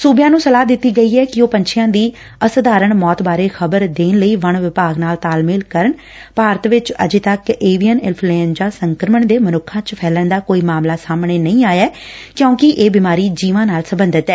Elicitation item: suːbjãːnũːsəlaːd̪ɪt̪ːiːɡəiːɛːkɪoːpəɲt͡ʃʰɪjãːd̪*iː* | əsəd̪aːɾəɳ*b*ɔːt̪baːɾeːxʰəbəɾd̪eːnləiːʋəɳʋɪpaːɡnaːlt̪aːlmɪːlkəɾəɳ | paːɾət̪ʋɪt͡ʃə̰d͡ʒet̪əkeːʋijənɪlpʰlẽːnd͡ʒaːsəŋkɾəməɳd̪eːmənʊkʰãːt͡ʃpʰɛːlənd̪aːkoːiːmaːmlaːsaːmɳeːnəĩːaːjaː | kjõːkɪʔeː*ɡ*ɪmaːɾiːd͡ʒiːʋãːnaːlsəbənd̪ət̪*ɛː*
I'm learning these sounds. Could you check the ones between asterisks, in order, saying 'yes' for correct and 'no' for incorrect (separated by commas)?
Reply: yes, no, no, yes